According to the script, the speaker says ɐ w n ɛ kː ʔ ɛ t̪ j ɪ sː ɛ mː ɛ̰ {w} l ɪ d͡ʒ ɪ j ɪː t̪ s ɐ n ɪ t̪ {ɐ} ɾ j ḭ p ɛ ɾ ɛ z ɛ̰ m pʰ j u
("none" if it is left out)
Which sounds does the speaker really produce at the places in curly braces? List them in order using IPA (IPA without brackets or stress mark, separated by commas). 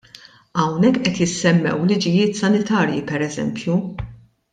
w, ɐː